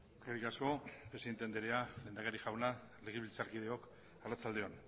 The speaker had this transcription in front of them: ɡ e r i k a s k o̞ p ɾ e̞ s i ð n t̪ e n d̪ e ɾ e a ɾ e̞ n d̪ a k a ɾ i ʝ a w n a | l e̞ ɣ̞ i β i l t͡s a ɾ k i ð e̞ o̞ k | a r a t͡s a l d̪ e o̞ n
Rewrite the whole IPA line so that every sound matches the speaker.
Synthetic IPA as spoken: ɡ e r i k a s k o̞ p ɾ e̞ s i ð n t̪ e n d̪ e ɾ e a l e̞ n d̪ a k a ɾ i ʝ a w n a | l e̞ ɣ̞ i β i l t͡s a ɾ k i ð e̞ o̞ k | a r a t͡s a l d̪ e o̞ n